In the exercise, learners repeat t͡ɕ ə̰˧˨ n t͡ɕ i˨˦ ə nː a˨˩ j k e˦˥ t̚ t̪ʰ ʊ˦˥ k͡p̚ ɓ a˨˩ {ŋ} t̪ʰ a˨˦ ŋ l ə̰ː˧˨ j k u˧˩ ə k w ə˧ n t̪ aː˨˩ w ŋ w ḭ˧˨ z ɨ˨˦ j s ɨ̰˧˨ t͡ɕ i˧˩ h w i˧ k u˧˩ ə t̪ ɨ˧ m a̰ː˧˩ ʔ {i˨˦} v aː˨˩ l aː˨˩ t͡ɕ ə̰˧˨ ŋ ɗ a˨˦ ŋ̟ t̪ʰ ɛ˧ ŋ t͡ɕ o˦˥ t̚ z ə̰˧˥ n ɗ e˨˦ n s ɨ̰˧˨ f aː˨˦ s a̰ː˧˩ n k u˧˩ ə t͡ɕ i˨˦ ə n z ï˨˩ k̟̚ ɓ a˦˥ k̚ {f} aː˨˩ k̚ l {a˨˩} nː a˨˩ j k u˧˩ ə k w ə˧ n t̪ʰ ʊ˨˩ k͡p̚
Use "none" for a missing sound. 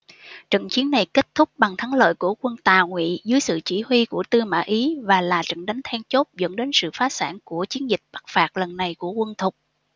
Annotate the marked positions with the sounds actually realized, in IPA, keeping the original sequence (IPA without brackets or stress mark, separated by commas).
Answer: ŋ, i˨˦, f, ə˨˩